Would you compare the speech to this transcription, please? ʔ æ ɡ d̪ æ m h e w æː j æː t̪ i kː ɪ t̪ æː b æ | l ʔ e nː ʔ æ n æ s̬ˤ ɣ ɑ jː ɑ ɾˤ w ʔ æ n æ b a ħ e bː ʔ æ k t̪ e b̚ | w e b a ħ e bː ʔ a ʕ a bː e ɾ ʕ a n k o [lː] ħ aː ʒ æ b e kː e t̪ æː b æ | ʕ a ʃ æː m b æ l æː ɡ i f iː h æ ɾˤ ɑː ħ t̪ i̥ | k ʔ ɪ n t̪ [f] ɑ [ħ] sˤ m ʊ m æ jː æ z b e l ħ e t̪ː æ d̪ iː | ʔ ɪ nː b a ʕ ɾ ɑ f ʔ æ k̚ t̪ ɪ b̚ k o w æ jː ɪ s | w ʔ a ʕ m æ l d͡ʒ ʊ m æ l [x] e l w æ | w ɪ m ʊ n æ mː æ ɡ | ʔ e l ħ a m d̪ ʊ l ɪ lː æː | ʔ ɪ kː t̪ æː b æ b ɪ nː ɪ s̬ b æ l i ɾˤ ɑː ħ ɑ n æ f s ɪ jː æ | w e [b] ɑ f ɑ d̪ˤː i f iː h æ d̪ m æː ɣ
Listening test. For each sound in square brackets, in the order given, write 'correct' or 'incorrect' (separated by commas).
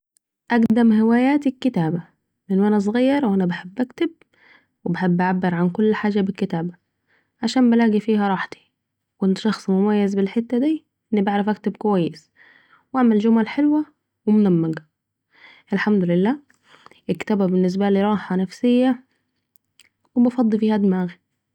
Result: correct, incorrect, incorrect, incorrect, correct